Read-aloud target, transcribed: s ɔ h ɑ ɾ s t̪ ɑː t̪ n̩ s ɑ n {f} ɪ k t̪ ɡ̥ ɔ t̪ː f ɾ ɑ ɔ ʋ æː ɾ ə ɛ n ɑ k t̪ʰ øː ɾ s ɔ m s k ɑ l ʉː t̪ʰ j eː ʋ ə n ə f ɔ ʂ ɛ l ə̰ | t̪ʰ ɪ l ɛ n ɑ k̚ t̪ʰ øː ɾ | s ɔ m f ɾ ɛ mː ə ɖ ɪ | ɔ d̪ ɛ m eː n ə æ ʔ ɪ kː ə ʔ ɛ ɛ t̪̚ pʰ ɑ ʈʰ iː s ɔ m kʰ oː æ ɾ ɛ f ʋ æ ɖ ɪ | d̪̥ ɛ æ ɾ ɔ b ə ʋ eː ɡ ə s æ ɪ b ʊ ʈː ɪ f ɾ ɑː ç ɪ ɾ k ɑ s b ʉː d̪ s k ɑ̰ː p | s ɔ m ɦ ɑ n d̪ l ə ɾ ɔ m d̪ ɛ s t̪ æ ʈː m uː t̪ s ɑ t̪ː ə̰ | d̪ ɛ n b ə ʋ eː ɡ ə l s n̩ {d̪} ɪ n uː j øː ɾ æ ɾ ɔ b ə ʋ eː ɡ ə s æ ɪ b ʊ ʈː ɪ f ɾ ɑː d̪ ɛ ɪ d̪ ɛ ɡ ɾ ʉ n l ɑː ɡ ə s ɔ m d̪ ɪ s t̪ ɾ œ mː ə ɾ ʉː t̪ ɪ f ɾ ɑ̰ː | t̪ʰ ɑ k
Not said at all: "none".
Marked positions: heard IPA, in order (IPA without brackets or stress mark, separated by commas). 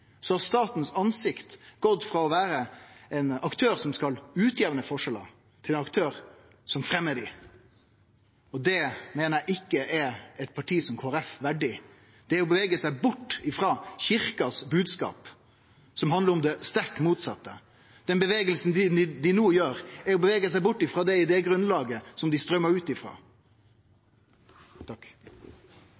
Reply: s, d̪